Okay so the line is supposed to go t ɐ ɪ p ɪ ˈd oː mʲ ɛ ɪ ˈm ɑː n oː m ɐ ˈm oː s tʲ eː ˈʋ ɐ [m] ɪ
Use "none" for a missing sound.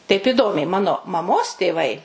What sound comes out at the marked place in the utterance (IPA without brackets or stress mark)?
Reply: none